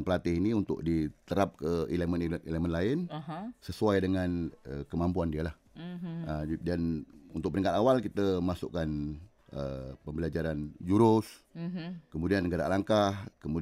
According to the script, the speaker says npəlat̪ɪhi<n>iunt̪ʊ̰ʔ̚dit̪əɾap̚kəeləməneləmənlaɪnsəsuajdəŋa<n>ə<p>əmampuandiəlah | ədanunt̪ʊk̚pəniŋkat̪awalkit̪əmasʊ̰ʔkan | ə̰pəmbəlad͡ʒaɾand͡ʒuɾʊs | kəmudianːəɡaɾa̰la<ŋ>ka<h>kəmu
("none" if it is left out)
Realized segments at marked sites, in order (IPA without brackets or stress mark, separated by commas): n, n, k, ŋ, h